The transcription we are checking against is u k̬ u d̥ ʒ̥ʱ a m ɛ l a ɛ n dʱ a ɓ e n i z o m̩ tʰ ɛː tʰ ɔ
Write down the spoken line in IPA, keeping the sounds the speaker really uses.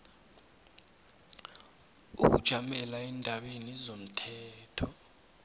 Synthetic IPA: u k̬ u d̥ ʒ̥ʱ a m ɛ l a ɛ n dʱ a ɓ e n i z o m̩ tʰ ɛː tʰ ɔ